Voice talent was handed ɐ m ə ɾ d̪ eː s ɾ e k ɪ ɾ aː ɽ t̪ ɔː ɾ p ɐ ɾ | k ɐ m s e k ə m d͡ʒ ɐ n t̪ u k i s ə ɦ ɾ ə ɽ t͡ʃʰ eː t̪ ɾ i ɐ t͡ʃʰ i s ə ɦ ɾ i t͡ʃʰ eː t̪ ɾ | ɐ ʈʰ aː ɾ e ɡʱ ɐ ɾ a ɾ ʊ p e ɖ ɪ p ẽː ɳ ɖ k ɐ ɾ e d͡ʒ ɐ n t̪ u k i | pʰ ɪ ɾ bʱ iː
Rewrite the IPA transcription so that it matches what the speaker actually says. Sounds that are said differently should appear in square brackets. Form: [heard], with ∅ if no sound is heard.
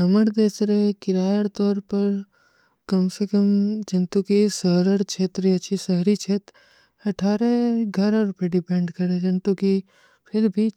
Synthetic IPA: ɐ m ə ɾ d̪ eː s ɾ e k ɪ ɾ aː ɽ t̪ ɔː ɾ p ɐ ɾ | k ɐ m s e k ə m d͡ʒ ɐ n t̪ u k i s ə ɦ ɾ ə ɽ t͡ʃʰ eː t̪ ɾ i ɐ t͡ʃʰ i s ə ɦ ɾ i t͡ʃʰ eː t̪ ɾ | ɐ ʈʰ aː ɾ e ɡʱ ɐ ɾ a ɾ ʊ p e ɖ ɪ p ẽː ɳ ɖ k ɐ ɾ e d͡ʒ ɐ n t̪ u k i | pʰ ɪ ɾ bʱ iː